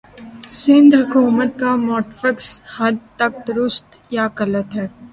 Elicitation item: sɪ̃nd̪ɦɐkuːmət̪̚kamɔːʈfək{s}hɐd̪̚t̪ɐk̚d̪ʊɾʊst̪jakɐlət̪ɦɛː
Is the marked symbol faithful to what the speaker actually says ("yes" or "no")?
yes